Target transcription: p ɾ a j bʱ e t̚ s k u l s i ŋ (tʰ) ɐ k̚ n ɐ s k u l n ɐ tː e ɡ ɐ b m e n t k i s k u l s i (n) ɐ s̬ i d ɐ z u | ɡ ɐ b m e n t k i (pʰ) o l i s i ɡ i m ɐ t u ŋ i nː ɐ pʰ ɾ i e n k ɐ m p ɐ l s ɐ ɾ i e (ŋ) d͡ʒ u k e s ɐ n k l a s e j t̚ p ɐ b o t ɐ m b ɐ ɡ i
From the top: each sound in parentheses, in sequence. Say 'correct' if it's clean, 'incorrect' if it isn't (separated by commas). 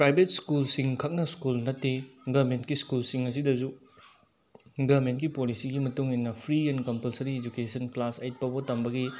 incorrect, incorrect, incorrect, incorrect